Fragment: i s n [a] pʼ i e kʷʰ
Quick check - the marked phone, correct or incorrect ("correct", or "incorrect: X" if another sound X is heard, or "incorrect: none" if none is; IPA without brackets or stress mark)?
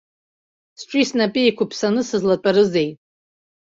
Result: correct